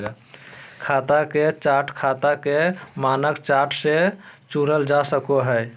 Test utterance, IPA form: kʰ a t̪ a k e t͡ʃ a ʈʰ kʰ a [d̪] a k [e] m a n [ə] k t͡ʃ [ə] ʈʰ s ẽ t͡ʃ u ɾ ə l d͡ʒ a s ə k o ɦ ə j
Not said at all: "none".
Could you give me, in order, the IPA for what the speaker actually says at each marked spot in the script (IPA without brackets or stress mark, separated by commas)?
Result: t̪, e, ə, a